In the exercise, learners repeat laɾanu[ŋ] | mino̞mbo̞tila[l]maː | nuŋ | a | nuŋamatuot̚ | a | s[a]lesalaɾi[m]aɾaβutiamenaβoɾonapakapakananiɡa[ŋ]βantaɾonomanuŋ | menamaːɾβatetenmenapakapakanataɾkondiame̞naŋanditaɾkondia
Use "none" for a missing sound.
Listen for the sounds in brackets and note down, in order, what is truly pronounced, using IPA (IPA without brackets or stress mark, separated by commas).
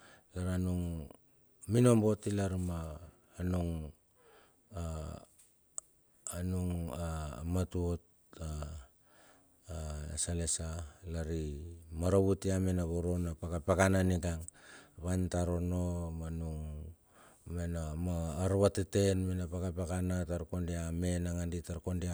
ŋ, ɾ, a, m, ŋ